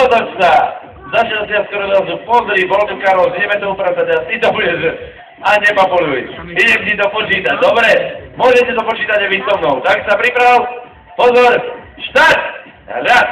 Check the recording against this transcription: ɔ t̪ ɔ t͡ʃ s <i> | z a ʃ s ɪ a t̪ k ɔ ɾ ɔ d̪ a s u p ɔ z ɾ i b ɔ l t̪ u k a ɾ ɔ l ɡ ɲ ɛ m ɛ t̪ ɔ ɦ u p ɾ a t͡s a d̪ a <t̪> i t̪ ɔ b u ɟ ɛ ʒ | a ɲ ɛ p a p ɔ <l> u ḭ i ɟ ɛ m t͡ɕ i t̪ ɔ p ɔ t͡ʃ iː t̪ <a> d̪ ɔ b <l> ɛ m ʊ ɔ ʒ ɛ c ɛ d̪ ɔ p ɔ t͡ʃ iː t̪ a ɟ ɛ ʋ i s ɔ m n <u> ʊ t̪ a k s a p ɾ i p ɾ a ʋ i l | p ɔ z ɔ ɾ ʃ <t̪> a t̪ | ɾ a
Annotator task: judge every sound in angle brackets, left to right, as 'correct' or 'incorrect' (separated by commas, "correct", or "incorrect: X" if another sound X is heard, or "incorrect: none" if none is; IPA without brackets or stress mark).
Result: incorrect: a, correct, correct, correct, incorrect: ɾ, incorrect: ɔ, correct